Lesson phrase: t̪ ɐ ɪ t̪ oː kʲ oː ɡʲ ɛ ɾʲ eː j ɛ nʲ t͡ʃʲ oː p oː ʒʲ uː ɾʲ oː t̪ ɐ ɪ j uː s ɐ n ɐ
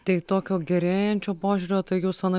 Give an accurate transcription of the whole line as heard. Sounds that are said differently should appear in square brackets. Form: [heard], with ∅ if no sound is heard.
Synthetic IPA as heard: t̪ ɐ ɪ t̪ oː kʲ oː ɡʲ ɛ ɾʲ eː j ɛ nʲ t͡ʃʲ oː p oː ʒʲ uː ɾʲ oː t̪ ɐ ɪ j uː s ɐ n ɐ

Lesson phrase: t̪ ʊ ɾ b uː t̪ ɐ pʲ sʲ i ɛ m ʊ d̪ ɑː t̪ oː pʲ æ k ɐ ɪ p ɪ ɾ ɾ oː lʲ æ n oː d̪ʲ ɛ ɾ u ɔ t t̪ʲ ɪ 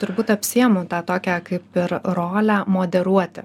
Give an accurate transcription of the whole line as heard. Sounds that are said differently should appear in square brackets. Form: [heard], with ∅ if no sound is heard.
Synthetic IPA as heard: t̪ ʊ ɾ b uː t̪ ɐ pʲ sʲ i ɛ m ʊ [t̪] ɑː t̪ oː [kʲ] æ k ɐ ɪ p ɪ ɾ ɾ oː lʲ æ [m] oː d̪ʲ ɛ ɾ u ɔ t t̪ʲ ɪ

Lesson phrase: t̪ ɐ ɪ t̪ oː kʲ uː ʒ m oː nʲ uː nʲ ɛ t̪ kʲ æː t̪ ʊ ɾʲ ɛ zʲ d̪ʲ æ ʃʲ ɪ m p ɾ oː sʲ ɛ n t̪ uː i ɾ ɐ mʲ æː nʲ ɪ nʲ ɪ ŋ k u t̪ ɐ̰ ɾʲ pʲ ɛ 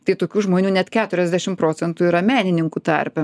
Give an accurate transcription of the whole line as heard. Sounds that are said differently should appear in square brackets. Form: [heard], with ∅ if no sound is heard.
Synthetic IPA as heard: t̪ ɐ ɪ t̪ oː kʲ uː ʒ m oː nʲ uː nʲ ɛ t̪ kʲ æː t̪ ʊ ɾʲ ɛ zʲ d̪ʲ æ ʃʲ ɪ m p ɾ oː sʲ ɛ n t̪ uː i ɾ ɐ mʲ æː nʲ ɪ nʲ ɪ ŋ k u t̪ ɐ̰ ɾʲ pʲ ɛ

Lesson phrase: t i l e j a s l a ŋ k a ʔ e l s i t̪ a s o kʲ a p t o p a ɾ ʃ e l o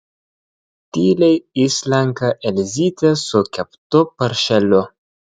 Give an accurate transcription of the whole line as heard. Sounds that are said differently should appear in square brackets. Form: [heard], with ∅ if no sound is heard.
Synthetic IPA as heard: t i l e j [i] s l a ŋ k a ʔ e l [z] i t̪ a s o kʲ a p t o p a ɾ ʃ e l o

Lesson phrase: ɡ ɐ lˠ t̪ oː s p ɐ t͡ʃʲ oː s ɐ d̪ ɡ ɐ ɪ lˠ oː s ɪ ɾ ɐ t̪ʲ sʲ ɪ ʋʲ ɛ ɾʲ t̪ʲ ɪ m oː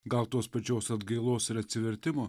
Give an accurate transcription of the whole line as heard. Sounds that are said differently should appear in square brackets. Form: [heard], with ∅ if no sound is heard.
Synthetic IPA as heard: ɡ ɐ lˠ t̪ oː s p ɐ t͡ʃʲ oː s ɐ d̪ ɡ ɐ ɪ lˠ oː s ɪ ɾ ɐ t̪ʲ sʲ ɪ ʋʲ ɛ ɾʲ t̪ʲ ɪ m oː

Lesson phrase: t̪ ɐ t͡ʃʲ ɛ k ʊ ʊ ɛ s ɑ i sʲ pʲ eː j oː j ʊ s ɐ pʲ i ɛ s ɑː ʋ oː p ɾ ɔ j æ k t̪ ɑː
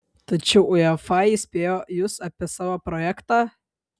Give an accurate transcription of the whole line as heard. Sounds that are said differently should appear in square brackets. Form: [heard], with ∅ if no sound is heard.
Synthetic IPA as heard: t̪ ɐ t͡ʃʲ ɛ [∅] ʊ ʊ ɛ [f] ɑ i sʲ pʲ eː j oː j ʊ s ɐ pʲ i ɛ s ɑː ʋ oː p ɾ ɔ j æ k t̪ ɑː

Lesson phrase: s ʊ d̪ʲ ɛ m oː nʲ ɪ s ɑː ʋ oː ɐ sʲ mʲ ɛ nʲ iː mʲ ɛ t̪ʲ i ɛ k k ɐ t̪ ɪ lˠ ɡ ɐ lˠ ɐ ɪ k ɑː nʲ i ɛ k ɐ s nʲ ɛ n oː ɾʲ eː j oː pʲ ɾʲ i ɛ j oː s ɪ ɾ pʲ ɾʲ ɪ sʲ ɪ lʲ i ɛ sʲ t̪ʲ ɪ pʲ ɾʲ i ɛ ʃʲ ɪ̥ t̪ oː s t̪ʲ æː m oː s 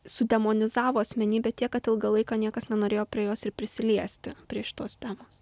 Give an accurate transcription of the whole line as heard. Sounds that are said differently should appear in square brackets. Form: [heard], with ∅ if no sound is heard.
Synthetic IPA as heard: s ʊ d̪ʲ ɛ m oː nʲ ɪ [z] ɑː ʋ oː ɐ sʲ mʲ ɛ nʲ iː [bʲ] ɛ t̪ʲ i ɛ k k ɐ t̪ ɪ lˠ ɡ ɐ lˠ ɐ ɪ k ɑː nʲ i ɛ k ɐ s nʲ ɛ n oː ɾʲ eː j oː pʲ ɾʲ i ɛ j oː s ɪ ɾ pʲ ɾʲ ɪ sʲ ɪ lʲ i ɛ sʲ t̪ʲ ɪ pʲ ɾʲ i ɛ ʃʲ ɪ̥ t̪ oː s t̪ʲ æː m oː s

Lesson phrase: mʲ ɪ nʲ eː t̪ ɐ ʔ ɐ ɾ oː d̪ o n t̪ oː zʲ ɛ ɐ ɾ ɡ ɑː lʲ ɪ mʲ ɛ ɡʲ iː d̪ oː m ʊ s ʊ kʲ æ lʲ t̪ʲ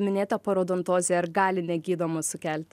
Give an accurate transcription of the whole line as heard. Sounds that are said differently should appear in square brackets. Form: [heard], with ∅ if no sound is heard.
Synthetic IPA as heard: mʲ ɪ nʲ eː t̪ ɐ [p] ɐ ɾ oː d̪ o n t̪ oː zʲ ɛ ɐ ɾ ɡ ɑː lʲ ɪ [nʲ] ɛ ɡʲ iː d̪ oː m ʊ s ʊ kʲ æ lʲ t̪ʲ

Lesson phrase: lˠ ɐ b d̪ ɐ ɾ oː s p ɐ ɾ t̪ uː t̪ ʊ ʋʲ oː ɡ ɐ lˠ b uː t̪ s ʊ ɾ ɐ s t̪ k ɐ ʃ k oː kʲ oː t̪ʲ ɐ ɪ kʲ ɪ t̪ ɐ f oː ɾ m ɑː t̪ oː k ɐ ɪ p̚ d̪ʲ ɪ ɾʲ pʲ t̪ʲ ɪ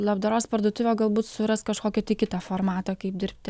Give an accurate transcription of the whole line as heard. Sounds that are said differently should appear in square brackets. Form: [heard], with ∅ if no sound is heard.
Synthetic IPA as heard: lˠ ɐ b d̪ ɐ ɾ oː s p ɐ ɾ [d̪] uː t̪ ʊ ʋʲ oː ɡ ɐ lˠ b uː t̪ s ʊ ɾ ɐ s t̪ k ɐ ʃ k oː kʲ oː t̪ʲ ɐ ɪ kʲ ɪ t̪ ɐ f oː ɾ m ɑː t̪ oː k ɐ ɪ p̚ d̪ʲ ɪ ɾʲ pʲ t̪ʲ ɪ

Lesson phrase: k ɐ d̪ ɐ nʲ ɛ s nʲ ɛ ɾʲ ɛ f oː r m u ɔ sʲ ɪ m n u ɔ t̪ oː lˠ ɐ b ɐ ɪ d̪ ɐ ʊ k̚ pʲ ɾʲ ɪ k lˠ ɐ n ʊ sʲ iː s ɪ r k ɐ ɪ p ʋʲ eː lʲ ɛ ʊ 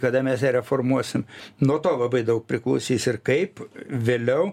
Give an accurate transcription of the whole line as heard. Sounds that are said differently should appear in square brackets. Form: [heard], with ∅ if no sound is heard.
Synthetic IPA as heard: k ɐ d̪ ɐ [mʲ] ɛ s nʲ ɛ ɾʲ ɛ f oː r m u ɔ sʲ ɪ m n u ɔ t̪ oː lˠ ɐ b ɐ ɪ d̪ ɐ ʊ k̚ pʲ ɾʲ ɪ k lˠ ɐ [∅] ʊ sʲ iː s ɪ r k ɐ ɪ p ʋʲ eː lʲ ɛ ʊ

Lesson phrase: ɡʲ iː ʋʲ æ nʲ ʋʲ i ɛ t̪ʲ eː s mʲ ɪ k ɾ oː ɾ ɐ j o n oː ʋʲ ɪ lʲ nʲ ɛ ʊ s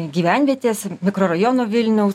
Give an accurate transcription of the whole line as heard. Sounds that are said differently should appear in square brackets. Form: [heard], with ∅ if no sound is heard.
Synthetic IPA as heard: ɡʲ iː ʋʲ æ nʲ ʋʲ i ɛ t̪ʲ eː s mʲ ɪ k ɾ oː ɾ ɐ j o n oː ʋʲ ɪ lʲ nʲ ɛ ʊ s

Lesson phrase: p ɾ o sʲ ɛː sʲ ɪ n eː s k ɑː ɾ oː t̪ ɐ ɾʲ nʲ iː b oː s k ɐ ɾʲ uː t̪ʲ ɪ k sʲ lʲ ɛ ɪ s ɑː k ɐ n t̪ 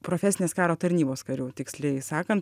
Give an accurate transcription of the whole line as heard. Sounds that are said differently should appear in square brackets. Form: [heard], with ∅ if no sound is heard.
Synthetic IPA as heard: p ɾ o [fʲ] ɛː sʲ ɪ n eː s k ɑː ɾ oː t̪ ɐ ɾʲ nʲ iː b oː s k ɐ ɾʲ uː t̪ʲ ɪ k sʲ lʲ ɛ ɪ s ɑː k ɐ n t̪

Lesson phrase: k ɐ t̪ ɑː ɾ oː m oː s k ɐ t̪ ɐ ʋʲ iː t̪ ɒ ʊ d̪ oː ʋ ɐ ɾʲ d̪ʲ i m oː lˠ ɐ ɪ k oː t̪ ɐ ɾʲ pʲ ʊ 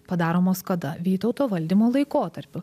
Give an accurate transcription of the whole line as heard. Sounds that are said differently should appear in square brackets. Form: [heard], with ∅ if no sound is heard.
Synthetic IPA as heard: [p] ɐ [d̪] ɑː ɾ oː m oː s k ɐ [d̪] ɐ ʋʲ iː t̪ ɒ ʊ [t̪] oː ʋ ɐ [lʲ] d̪ʲ i m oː lˠ ɐ ɪ k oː t̪ ɐ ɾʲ pʲ ʊ

